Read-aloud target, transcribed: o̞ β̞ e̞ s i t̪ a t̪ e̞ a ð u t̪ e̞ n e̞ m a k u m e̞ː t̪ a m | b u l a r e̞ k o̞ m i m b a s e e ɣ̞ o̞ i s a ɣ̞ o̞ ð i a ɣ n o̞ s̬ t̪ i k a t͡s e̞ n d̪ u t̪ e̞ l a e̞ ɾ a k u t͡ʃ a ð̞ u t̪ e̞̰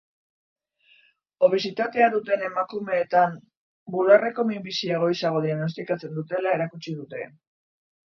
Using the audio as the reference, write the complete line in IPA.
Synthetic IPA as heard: o̞ β̞ e̞ s i t̪ a t̪ e̞ a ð u t̪ e̞ n e̞ m a k u m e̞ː t̪ a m | b u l a r e̞ k o̞ m i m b i s i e ɣ̞ o̞ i s a ɣ̞ o̞ ð i a ɣ n o̞ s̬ t̪ i k a t͡s e̞ n d̪ u t̪ e̞ l a e̞ ɾ a k u t͡ʃ i ð̞ u t̪ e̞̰